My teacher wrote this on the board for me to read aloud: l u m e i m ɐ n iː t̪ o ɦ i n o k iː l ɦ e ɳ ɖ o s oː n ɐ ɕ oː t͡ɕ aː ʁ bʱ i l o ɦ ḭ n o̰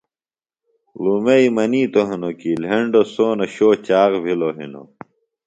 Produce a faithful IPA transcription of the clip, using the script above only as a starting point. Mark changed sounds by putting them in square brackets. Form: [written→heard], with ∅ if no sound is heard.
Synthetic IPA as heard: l u m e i m ɐ n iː t̪ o ɦ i n o k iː l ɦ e ɳ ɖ o s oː n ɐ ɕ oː t͡ɕ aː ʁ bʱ i l o ɦ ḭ n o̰